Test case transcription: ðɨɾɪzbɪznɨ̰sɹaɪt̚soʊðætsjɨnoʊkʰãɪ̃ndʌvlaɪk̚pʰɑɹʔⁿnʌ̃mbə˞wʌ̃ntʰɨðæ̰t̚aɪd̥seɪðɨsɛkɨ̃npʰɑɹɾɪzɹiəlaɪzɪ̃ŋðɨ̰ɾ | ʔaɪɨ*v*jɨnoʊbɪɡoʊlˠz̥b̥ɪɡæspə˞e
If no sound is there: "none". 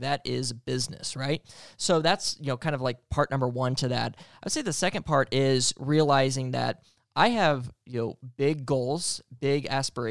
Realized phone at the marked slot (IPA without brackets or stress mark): v